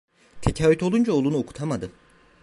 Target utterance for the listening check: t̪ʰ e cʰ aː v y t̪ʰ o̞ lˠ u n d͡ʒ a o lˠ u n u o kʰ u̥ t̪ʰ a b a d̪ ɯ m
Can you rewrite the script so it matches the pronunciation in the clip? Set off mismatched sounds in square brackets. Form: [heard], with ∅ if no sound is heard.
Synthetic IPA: t̪ʰ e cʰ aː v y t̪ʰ o̞ lˠ u n d͡ʒ a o lˠ u n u o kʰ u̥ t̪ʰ a [m] a d̪ ɯ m